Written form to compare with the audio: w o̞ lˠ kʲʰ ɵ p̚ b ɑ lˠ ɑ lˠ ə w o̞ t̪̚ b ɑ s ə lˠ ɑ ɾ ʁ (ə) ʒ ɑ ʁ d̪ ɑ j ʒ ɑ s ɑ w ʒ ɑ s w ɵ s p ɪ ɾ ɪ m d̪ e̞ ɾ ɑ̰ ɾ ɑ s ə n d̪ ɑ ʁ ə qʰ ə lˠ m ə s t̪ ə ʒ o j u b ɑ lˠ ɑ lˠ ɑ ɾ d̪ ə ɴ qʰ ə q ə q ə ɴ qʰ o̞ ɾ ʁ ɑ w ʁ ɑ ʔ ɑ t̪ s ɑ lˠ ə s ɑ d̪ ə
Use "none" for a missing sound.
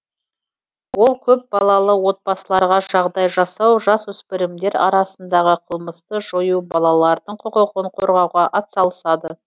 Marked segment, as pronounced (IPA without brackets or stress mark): ɑ